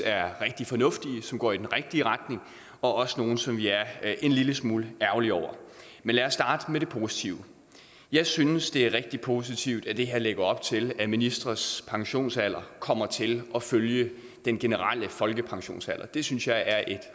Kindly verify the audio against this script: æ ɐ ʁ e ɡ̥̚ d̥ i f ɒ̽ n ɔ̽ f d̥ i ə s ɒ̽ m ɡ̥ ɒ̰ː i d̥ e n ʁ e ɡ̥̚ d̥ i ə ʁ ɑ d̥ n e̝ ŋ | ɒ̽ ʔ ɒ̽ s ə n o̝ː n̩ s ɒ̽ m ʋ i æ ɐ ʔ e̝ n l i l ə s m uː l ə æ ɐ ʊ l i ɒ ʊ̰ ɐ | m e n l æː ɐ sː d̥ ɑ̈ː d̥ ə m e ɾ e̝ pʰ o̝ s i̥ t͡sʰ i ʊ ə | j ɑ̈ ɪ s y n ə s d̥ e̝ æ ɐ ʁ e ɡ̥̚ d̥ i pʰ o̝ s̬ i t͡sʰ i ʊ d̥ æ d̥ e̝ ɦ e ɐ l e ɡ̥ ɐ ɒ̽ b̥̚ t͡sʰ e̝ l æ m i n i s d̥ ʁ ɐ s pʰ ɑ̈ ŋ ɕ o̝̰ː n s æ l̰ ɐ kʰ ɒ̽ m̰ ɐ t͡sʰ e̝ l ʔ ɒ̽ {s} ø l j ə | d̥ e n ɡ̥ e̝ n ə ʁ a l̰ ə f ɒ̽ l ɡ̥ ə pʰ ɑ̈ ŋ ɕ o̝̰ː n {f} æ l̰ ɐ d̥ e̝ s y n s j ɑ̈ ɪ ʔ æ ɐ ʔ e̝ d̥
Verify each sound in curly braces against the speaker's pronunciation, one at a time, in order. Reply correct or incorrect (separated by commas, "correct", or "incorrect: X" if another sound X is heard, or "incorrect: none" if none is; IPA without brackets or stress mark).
incorrect: f, incorrect: s